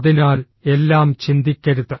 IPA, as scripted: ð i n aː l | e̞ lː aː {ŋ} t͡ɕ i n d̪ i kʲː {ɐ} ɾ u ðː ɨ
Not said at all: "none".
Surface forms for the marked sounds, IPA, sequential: m, ɐ

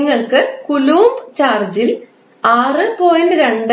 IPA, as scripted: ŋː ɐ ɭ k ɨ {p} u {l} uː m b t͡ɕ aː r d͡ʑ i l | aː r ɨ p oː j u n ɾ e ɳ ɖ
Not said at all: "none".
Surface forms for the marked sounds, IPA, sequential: k, l

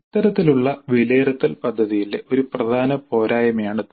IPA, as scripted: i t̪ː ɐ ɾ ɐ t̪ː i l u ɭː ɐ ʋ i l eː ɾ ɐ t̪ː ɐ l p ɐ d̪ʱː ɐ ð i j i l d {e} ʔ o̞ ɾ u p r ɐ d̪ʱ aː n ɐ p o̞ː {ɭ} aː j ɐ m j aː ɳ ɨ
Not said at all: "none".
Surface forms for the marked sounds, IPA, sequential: e, ɾ

